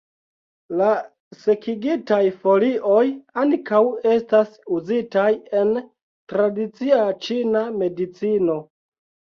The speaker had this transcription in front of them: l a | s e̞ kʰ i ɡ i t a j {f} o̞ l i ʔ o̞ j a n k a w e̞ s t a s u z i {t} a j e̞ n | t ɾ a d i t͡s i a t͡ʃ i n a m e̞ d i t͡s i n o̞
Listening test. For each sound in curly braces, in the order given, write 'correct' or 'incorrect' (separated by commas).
correct, correct